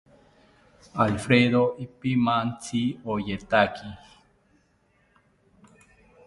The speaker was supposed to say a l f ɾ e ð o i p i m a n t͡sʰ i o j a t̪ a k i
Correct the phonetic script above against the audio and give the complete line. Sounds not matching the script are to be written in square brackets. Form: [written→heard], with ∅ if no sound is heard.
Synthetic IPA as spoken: a l f ɾ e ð o i p i m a n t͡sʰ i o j [a→e] t̪ a k i